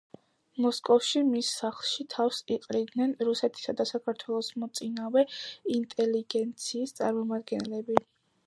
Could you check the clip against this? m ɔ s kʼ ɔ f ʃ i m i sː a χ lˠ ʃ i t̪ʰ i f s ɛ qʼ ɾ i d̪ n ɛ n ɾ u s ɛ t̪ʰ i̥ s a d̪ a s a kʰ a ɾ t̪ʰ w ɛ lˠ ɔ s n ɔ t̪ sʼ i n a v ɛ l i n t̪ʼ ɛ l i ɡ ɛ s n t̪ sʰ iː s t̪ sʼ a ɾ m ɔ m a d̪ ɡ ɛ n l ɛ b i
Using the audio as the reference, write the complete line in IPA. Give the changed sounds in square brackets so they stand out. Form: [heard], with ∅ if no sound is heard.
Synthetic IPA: m ɔ s kʼ ɔ f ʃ i m i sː a χ lˠ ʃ i t̪ʰ [a] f s [i] qʼ ɾ i d̪ n ɛ n ɾ u s ɛ t̪ʰ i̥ s a d̪ a s a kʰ a ɾ t̪ʰ w ɛ lˠ ɔ s [m] ɔ t̪ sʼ i n a v ɛ [∅] i n t̪ʼ ɛ l i ɡ ɛ [∅] n t̪ sʰ iː s t̪ sʼ a ɾ m ɔ m a d̪ ɡ ɛ n l ɛ b i